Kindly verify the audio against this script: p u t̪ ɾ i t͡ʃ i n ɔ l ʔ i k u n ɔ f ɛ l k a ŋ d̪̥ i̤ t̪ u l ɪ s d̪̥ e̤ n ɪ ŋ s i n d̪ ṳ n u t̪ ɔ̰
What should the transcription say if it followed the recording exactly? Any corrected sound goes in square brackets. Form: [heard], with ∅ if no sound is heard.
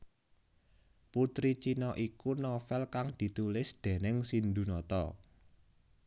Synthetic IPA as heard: p u t̪ ɾ i t͡ʃ i n ɔ [∅] ʔ i k u n ɔ f ɛ l k a ŋ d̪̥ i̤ t̪ u l ɪ s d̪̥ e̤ n ɪ ŋ s i n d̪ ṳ n [ɔ] t̪ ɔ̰